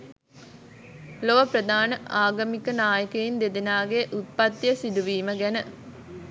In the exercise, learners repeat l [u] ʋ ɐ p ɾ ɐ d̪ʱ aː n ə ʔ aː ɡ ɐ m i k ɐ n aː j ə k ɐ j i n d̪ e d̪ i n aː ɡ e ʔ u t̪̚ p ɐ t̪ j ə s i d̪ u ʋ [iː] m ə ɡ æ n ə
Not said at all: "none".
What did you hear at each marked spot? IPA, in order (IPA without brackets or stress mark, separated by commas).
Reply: o, iː